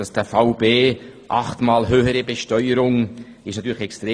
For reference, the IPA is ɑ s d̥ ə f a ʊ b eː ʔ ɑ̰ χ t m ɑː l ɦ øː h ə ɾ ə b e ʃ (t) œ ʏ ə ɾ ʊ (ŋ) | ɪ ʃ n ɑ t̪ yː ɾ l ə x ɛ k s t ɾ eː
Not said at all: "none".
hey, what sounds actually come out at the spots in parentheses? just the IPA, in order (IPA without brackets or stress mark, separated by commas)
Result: t, ŋ